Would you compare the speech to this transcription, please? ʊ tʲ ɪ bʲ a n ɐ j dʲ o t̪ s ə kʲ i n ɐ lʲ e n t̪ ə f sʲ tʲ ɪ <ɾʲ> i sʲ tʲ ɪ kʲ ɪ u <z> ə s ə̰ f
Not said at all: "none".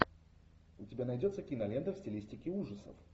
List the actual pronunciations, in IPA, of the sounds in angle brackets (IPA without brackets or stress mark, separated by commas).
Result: lʲ, ʐ